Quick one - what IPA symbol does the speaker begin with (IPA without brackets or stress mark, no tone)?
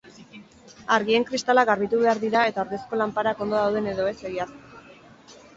a